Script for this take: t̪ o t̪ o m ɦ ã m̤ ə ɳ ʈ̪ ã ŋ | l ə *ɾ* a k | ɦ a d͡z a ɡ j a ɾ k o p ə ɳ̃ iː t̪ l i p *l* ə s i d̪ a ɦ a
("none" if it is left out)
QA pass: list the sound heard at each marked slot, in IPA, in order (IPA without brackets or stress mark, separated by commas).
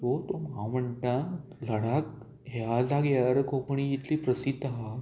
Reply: ɽ, ɾ